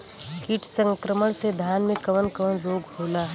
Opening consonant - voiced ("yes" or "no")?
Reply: no